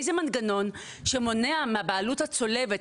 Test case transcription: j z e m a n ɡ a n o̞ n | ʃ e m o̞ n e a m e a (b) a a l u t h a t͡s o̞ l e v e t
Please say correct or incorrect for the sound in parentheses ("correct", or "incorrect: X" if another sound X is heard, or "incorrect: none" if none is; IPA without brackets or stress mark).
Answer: correct